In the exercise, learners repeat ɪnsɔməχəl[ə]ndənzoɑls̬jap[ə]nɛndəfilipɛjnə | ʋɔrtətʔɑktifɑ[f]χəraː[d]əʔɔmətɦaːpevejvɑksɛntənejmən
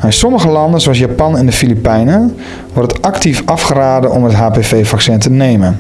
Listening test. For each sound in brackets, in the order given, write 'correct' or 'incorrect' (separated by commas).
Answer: incorrect, incorrect, correct, correct